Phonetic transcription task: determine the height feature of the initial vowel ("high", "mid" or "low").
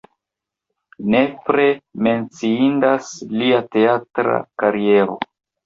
mid